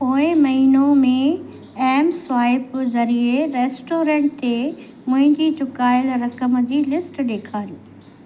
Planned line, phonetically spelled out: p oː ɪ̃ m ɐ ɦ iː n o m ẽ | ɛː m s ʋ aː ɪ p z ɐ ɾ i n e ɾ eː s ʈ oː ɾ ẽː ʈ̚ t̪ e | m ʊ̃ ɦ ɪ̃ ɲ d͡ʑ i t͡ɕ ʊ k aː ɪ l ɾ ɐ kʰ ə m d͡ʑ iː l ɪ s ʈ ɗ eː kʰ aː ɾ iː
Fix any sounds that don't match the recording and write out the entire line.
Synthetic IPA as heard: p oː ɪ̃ m ɐ ɦ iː n o m ẽ | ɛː m s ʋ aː ɪ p z ɐ ɾ i e ɾ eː s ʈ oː ɾ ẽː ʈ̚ t̪ e | m ʊ̃ ɦ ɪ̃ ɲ d͡ʑ i t͡ɕ ʊ k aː ɪ l ɾ ɐ k ə m d͡ʑ iː l ɪ s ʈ ɗ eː kʰ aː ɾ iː